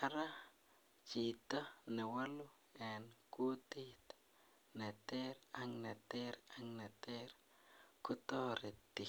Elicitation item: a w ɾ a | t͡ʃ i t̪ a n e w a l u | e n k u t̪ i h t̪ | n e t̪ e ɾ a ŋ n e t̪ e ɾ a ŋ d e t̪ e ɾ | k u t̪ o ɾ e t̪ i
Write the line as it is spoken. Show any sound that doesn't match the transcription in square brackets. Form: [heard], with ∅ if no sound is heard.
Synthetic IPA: a [∅] ɾ a | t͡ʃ i t̪ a n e w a l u | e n k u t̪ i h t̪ | n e t̪ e ɾ a ŋ n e t̪ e ɾ a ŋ [n] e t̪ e ɾ | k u t̪ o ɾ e t̪ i